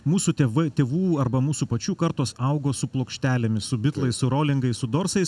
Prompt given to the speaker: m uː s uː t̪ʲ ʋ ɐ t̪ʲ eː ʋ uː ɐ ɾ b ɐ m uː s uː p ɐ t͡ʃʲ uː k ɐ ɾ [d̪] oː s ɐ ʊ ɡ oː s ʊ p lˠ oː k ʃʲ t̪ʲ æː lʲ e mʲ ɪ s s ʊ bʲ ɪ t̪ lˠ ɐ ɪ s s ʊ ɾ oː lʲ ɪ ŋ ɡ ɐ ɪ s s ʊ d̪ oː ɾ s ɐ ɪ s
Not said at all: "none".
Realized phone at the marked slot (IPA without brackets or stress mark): t̪